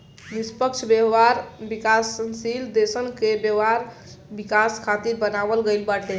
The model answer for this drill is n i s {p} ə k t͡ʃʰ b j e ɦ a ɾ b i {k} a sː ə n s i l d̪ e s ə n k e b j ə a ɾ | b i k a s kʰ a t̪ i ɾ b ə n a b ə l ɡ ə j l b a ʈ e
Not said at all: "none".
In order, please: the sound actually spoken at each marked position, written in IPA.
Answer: p, k

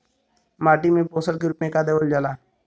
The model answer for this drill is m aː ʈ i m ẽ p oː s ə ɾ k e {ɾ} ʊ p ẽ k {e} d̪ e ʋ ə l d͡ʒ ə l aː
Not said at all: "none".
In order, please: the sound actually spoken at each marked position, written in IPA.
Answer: ɾ, a

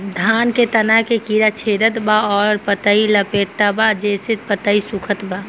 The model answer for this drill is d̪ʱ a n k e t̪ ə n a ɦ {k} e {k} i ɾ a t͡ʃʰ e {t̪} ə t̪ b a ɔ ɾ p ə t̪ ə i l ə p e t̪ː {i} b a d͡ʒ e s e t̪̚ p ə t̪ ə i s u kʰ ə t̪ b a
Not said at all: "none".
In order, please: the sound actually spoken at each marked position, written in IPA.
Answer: k, k, d̪, a

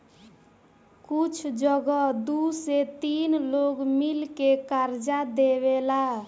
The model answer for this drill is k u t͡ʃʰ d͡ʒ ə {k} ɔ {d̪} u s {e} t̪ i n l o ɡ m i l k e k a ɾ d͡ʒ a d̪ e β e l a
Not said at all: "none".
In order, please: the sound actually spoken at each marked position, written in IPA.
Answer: ɡ, d̪, e

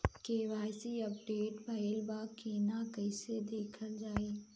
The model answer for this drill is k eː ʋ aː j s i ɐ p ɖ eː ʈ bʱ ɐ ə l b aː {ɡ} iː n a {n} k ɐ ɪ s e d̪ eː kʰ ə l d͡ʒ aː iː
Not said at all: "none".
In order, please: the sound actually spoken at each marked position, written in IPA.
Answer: k, none

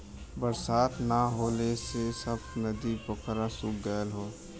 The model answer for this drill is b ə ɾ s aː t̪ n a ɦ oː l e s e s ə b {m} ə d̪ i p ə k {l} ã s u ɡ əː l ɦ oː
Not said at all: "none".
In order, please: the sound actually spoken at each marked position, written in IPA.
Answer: n, ɾ

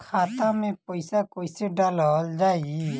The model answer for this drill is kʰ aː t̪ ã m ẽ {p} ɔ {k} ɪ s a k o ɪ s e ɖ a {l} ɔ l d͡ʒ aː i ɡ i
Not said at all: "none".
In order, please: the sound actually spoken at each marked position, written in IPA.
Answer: p, none, l

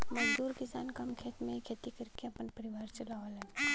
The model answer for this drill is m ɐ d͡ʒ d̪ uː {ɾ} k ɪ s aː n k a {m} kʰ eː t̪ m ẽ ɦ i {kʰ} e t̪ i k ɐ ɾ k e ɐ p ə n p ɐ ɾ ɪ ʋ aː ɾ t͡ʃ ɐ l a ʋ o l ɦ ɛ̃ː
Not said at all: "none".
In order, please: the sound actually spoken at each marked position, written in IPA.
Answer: ɾ, m, kʰ

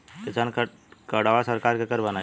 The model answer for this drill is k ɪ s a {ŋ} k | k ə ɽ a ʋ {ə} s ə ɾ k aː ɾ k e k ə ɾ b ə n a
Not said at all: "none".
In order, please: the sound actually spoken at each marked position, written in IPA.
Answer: n, a

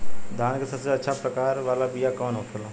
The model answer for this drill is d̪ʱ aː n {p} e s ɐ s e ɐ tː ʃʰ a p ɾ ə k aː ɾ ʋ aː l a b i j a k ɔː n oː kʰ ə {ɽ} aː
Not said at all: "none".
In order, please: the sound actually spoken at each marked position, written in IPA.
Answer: k, l

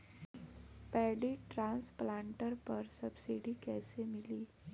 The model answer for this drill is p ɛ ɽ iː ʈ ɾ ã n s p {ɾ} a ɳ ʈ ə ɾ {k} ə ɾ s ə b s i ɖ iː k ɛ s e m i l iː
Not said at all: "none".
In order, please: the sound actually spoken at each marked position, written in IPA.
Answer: l, p

